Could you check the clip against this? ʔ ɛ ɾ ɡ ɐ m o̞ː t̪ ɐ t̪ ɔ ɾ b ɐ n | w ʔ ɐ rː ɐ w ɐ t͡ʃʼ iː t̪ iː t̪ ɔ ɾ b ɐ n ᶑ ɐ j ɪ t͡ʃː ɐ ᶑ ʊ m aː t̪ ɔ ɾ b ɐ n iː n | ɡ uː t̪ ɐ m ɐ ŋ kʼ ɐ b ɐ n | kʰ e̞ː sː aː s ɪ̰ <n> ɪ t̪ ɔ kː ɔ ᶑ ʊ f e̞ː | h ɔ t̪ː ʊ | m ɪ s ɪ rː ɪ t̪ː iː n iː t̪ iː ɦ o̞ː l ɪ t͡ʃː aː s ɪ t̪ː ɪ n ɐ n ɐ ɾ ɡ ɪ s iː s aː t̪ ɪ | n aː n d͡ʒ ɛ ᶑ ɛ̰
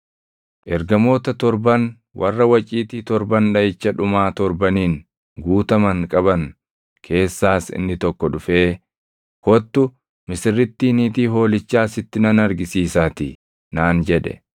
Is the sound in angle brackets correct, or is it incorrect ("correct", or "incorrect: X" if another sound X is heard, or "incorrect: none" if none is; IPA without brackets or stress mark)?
incorrect: nː